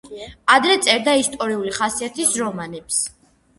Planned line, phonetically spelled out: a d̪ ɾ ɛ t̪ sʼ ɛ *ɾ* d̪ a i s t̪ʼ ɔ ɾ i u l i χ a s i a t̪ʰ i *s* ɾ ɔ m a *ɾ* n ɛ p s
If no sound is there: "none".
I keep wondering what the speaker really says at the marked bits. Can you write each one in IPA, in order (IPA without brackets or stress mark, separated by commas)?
ɾ, s, none